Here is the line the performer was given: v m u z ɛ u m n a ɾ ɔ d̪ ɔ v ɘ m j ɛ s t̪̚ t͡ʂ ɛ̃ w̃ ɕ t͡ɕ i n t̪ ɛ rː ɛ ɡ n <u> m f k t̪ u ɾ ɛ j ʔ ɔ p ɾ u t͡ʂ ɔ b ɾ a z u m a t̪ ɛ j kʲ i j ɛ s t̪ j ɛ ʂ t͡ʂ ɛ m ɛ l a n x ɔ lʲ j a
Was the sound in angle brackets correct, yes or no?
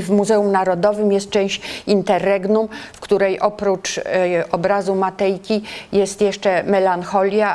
yes